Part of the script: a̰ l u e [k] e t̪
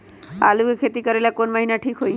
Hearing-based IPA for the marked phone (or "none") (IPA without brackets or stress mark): kʰ